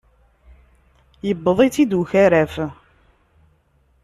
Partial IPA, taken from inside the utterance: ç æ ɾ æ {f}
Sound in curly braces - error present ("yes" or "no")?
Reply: no